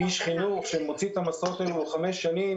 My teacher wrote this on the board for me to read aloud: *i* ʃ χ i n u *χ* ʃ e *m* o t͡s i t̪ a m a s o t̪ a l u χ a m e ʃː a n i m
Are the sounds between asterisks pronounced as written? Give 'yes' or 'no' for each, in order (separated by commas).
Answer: yes, yes, yes